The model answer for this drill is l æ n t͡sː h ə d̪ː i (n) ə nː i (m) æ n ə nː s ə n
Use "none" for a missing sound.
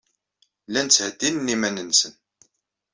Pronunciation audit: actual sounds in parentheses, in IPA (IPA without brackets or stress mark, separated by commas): n, m